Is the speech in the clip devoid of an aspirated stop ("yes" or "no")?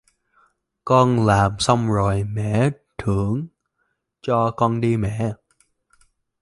no